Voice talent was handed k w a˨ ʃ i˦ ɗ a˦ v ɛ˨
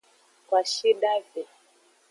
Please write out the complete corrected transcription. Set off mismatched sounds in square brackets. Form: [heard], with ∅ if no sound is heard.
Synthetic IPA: k w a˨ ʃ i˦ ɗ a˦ v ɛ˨